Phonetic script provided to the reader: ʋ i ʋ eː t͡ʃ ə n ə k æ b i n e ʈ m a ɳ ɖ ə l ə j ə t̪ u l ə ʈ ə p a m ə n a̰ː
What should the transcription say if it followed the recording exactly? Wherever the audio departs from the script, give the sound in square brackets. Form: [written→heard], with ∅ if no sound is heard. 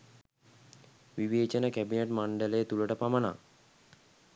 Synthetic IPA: ʋ i ʋ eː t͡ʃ ə n ə k æ b i n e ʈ m a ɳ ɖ ə l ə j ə t̪ u l ə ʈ ə p a m ə n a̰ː